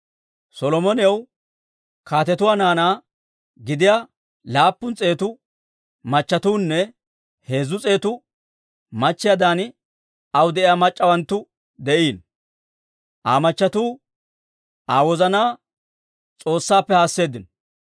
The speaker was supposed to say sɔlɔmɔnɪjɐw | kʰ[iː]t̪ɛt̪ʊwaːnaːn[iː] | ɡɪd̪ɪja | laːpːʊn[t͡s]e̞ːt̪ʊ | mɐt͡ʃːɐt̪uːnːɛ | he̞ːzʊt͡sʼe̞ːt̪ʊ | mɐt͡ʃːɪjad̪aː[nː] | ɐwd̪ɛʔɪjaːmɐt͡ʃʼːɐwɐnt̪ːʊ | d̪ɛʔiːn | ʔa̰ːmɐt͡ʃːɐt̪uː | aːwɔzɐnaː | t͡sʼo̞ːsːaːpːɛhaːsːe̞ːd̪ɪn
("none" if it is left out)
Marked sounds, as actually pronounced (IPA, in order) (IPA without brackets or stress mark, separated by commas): aː, aː, t͡sʼ, n